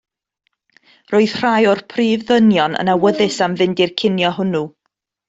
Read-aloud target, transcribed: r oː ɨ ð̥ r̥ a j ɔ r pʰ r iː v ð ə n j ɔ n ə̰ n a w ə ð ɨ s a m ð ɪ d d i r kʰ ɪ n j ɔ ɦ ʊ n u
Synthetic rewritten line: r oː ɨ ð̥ r̥ a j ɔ r pʰ r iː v ð ə n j ɔ n ə̰ n a w ə ð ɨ s a m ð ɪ n d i r kʰ ɪ n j ɔ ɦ ʊ n u